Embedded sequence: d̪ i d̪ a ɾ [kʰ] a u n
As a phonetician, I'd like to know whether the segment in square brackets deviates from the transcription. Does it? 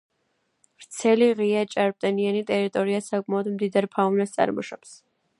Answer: yes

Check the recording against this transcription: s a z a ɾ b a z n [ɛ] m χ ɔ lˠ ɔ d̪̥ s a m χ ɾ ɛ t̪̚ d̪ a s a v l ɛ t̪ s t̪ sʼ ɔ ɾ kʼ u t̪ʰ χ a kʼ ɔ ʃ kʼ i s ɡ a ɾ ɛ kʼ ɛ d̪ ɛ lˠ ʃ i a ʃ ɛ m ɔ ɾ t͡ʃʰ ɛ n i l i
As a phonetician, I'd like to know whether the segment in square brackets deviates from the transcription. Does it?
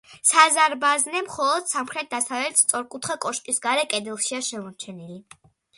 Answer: no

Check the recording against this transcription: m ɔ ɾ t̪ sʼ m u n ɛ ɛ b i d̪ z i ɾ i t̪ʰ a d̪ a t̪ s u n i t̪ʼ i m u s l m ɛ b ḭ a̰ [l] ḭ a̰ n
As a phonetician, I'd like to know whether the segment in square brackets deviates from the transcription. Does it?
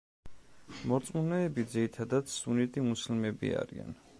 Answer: yes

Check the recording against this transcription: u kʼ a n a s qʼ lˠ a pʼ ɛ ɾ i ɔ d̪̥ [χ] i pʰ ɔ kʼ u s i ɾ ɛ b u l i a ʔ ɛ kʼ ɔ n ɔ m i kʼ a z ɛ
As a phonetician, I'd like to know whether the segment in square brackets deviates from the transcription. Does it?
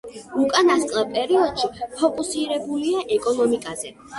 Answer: yes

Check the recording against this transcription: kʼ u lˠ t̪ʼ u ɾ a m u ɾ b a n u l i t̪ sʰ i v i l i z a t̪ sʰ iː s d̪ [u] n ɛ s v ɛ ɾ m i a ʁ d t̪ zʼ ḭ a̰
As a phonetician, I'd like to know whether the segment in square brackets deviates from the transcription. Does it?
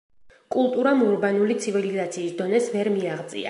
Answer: yes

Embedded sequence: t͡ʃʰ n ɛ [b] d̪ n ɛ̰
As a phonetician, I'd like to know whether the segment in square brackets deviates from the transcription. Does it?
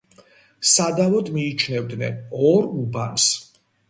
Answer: yes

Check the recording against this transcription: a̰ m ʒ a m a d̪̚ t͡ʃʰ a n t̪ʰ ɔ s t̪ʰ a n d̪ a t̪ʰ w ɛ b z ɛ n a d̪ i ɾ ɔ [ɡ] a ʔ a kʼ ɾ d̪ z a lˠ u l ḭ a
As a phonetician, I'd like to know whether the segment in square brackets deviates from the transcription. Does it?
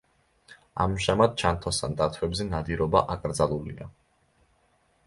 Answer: yes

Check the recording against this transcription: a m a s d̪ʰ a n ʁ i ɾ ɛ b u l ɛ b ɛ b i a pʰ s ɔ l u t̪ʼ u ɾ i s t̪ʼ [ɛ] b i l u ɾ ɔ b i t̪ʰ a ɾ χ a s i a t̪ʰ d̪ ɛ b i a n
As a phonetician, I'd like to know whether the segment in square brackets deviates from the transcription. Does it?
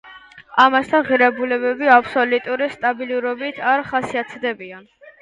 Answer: yes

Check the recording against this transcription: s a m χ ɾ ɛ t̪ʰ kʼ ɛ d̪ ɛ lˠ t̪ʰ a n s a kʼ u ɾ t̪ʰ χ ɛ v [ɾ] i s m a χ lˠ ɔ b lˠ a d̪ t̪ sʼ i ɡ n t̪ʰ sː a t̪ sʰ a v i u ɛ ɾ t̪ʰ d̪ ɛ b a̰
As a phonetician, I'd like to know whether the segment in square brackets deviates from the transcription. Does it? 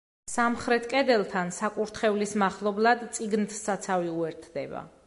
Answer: yes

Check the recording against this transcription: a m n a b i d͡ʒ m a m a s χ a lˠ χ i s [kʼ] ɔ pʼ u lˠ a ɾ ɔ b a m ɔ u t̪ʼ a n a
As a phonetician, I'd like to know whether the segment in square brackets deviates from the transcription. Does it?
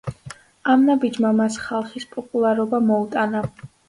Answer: yes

